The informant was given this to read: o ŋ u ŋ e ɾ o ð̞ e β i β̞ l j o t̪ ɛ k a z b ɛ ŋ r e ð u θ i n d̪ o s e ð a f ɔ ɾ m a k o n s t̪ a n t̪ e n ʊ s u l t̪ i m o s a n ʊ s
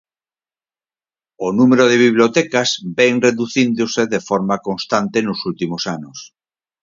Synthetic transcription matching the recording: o n u m e ɾ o ð̞ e β i β̞ l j o t̪ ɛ k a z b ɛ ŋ r e ð u θ i n d̪ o s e ð e f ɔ ɾ m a k o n s t̪ a n t̪ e n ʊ s u l t̪ i m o s a n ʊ s